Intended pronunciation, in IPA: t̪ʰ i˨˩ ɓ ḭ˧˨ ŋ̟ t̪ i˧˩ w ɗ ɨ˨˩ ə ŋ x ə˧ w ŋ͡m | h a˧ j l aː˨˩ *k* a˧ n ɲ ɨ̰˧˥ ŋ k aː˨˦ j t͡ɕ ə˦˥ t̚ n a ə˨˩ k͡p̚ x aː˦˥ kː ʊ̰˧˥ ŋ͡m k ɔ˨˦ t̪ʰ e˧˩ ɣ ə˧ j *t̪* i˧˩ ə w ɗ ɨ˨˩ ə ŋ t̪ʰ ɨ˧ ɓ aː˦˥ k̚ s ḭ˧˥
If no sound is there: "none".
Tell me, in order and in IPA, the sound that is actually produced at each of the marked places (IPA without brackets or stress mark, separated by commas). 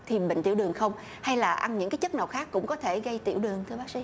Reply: ʔ, t̪